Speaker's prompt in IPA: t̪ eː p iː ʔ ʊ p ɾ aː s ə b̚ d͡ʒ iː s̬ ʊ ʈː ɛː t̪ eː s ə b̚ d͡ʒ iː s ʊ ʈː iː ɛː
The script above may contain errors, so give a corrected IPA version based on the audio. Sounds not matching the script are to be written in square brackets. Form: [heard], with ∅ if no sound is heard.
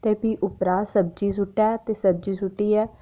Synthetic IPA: t̪ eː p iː ʔ ʊ p ɾ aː s ə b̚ d͡ʒ iː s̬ ʊ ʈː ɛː t̪ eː s ə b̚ d͡ʒ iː s ʊ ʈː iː ɛː